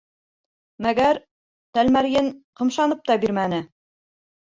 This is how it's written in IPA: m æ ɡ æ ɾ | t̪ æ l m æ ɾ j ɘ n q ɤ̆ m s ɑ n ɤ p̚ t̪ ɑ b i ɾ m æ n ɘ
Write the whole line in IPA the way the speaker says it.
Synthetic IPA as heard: m æ ɡ æ ɾ | t̪ æ l m æ ɾ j ɘ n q ɤ̆ m ʃ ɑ n ɤ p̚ t̪ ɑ b i ɾ m æ n ɘ